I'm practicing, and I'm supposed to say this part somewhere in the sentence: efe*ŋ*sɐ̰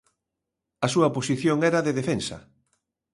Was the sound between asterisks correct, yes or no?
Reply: no